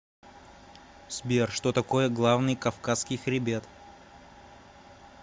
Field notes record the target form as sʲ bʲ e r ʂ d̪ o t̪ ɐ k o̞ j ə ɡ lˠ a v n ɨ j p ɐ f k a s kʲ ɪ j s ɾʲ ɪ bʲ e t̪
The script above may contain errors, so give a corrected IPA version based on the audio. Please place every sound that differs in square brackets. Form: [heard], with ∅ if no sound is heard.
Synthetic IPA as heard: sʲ bʲ e r ʂ [t̪] o t̪ ɐ k o̞ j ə ɡ lˠ a v n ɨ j [k] ɐ f k a s kʲ ɪ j [x] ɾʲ ɪ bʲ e t̪